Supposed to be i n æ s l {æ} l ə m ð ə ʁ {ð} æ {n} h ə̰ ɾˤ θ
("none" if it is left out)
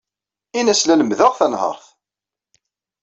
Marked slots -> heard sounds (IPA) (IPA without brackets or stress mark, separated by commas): æ, θ, n